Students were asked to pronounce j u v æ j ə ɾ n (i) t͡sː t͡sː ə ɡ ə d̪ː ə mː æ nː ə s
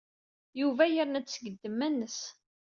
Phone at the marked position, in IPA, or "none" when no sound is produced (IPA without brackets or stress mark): æ